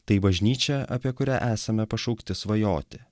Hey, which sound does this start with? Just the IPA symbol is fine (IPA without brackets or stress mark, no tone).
t̪